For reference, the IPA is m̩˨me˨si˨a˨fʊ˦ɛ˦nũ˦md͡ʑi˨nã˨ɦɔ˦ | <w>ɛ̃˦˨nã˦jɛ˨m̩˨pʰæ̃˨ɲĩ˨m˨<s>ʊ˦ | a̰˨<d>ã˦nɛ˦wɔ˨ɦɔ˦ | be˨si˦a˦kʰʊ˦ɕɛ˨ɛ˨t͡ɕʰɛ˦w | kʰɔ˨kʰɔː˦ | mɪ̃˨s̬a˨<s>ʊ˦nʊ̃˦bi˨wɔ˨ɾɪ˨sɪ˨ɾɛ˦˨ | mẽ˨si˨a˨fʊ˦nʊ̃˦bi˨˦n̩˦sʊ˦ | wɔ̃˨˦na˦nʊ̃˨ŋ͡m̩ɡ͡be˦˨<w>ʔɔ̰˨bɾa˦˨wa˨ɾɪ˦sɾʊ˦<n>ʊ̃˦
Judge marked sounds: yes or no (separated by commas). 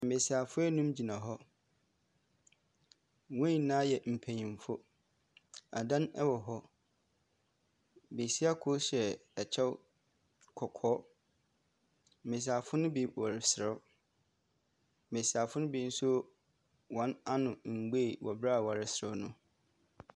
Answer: yes, no, yes, no, yes, yes